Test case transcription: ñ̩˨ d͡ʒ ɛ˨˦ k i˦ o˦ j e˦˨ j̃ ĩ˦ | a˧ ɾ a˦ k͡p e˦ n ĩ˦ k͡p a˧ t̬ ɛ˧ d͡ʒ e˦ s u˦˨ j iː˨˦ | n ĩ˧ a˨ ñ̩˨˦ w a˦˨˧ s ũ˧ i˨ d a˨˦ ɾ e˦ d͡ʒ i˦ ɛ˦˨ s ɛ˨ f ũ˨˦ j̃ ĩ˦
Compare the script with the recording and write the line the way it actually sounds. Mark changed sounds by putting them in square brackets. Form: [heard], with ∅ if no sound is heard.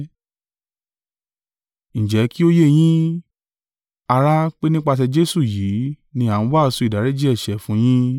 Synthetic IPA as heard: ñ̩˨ d͡ʒ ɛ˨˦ k i˦ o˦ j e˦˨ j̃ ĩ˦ | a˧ ɾ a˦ k͡p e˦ n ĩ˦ k͡p a˧ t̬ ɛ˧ d͡ʒ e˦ s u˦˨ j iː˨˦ | n ĩ˧ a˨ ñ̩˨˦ w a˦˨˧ s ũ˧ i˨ d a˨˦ ɾ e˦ d͡ʒ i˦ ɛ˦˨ [ʃ] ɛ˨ f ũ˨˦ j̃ ĩ˦